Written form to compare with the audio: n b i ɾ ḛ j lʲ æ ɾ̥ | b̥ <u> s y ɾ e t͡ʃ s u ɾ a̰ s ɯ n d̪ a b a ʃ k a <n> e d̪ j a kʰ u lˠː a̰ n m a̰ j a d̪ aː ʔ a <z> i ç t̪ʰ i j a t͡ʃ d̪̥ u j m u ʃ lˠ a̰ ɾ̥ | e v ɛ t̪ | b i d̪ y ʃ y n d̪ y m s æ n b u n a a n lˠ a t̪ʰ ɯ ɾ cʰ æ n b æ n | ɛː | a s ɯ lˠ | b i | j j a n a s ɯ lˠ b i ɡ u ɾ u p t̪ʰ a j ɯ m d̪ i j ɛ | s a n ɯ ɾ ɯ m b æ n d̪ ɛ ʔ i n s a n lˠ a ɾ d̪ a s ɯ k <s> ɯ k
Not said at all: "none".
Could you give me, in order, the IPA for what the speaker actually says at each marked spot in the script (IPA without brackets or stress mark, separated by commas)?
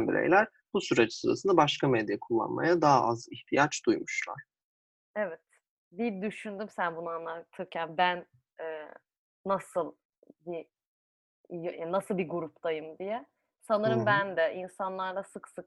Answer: u, m, z, s